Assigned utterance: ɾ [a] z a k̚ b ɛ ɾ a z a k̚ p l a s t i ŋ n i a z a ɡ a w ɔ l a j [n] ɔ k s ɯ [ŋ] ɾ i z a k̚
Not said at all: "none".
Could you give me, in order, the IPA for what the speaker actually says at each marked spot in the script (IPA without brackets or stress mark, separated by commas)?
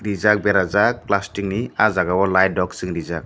i, d, ŋ